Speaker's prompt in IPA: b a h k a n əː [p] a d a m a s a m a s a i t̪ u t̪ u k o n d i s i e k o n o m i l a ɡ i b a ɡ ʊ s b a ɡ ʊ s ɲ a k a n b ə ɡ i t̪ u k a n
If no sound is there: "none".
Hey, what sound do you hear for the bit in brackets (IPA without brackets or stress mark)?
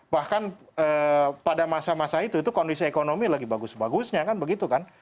p